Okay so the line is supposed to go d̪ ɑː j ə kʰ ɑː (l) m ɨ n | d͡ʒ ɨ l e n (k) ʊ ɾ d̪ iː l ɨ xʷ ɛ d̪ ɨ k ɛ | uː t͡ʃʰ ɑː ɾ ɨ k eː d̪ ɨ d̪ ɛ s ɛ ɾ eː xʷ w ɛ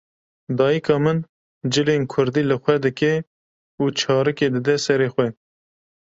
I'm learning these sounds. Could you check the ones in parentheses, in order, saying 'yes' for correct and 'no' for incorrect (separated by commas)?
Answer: no, no